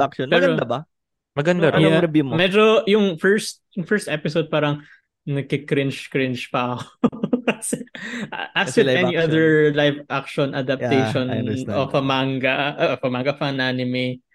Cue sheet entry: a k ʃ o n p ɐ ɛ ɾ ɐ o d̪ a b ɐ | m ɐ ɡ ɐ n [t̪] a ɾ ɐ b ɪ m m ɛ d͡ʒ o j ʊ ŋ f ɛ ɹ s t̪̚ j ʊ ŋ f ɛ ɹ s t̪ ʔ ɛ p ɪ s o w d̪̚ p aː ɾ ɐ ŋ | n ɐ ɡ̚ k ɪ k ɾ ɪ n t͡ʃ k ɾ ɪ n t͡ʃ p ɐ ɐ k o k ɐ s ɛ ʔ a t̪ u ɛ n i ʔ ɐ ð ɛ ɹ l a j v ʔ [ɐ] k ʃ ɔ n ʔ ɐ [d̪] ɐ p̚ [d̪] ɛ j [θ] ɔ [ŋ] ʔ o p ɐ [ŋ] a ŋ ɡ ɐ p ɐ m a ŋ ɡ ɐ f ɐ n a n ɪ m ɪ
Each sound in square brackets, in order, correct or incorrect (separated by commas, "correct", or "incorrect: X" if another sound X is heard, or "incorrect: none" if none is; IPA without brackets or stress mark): incorrect: d̪, incorrect: a, correct, incorrect: t̪, incorrect: ʃ, incorrect: n, incorrect: m